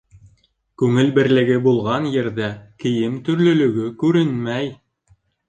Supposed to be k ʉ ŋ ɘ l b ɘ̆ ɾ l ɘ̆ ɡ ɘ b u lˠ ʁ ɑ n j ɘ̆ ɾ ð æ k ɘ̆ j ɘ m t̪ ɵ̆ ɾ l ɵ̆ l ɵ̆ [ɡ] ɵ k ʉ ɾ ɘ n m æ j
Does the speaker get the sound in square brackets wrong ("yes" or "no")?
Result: no